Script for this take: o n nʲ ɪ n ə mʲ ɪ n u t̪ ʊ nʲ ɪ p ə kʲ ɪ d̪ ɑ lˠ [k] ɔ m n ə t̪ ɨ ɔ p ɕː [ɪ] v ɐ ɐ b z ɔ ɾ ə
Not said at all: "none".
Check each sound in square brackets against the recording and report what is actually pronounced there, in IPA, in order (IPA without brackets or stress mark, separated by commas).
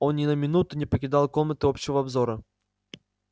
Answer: k, ɪ